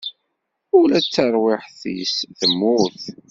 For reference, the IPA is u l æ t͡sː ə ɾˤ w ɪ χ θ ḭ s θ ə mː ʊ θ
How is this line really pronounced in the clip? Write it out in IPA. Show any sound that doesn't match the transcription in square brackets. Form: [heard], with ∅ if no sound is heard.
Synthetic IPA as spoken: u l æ t͡sː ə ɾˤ w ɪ [ħ] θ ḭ s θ ə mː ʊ θ